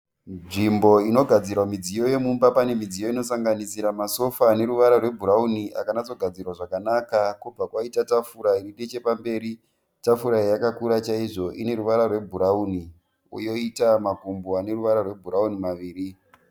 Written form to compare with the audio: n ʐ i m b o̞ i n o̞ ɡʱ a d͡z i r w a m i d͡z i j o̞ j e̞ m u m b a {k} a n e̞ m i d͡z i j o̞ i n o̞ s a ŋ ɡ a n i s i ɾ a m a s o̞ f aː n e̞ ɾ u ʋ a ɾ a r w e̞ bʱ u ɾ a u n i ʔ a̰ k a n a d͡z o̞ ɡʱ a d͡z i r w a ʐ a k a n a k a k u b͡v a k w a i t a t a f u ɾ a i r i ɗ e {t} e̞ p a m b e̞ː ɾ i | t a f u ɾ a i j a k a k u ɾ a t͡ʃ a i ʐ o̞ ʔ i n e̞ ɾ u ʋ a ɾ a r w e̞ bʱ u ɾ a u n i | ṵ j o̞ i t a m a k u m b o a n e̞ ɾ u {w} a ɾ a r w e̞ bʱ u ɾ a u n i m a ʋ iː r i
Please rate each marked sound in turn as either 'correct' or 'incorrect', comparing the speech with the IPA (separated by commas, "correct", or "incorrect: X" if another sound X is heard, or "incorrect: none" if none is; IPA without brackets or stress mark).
incorrect: p, incorrect: t͡ʃ, incorrect: ʋ